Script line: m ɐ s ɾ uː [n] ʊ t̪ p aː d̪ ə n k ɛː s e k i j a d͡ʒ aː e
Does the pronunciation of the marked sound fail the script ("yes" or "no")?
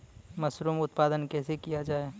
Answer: yes